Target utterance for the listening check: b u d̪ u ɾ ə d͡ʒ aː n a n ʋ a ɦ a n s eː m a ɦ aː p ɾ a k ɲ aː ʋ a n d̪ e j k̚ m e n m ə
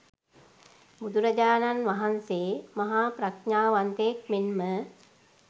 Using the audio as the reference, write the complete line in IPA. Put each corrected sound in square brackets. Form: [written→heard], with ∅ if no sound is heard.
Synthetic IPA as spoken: b u d̪ u ɾ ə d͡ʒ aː n a n ʋ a ɦ a n s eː m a ɦ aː p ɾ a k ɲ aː ʋ a n [d̪→t̪] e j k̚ m e n m ə